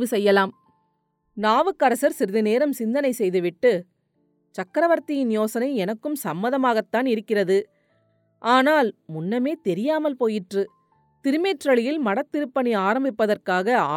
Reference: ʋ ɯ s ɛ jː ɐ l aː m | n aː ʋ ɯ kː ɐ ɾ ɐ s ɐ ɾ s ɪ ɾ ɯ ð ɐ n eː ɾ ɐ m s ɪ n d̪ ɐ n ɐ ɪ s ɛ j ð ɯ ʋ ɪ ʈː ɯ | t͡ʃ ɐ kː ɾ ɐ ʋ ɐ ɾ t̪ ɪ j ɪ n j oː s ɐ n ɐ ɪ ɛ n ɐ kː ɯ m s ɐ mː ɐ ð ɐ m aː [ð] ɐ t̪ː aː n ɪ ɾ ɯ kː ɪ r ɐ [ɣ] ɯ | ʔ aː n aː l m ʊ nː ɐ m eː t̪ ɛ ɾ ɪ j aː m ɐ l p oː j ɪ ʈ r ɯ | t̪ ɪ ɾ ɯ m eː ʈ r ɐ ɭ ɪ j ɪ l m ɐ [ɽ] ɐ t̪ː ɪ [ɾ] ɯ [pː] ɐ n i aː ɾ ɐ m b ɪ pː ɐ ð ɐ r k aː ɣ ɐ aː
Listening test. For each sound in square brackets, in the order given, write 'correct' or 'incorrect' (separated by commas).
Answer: incorrect, incorrect, correct, correct, correct